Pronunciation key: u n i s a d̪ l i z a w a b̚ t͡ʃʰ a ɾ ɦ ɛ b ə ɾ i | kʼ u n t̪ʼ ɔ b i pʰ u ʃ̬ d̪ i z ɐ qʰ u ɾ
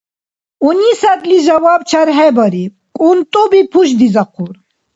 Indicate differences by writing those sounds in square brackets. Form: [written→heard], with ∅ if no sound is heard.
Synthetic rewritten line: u n i s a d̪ l i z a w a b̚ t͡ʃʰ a ɾ ɦ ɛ b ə ɾ i | kʼ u n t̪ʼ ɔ b i pʰ u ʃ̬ d̪ i z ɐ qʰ u ɾ